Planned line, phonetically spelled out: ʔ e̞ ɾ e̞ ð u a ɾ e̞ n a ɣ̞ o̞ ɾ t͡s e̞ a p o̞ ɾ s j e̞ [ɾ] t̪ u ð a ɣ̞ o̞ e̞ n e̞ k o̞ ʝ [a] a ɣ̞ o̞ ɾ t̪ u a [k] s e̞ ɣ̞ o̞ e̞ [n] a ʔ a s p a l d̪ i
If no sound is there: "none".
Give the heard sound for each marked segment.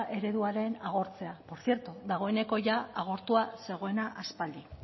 ɾ, a, none, n

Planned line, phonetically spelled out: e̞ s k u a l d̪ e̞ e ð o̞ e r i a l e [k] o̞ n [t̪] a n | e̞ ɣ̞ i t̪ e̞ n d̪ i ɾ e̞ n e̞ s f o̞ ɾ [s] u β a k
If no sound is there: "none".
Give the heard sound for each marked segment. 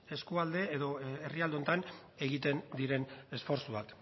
none, t̪, s

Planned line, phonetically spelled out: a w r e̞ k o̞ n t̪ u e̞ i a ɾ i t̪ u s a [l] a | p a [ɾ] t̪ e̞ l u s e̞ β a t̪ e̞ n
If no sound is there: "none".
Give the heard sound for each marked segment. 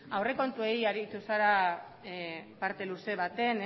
ɾ, ɾ

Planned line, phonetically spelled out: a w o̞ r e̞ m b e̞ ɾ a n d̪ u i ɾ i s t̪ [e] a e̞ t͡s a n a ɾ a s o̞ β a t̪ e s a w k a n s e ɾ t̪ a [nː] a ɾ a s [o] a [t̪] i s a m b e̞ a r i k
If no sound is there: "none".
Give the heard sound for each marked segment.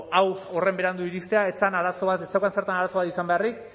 e, n, o, t̪

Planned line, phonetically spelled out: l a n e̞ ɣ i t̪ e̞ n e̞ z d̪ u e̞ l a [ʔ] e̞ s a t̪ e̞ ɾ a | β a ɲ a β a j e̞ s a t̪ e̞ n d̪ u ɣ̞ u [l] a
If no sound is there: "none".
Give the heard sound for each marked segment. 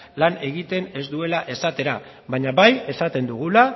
ʔ, l

